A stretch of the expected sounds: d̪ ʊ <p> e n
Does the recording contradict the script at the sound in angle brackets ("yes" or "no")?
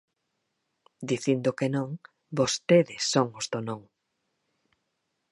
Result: yes